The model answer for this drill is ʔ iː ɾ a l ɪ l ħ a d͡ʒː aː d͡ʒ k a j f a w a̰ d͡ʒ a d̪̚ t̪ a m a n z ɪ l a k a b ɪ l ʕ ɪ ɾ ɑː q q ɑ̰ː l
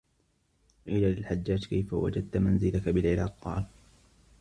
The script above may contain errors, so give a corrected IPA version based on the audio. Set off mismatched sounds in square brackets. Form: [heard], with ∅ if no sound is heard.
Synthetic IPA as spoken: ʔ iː [l] a l ɪ l ħ a d͡ʒː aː d͡ʒ k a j f a w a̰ d͡ʒ a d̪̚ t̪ a m a n z ɪ l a k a b ɪ l ʕ ɪ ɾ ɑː q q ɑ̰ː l